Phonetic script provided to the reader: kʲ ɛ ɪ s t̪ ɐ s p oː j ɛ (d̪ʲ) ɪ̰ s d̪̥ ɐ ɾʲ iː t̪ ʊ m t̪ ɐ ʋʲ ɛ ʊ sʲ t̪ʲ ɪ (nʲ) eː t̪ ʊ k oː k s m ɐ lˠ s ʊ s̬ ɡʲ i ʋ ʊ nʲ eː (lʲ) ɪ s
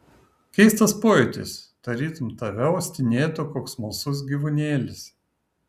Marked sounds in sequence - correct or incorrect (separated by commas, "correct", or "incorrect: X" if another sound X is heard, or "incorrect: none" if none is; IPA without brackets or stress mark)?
incorrect: t̪ʲ, correct, correct